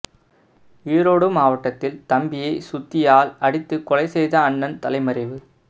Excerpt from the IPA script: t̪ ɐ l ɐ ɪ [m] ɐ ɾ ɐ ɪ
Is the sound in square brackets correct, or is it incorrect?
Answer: correct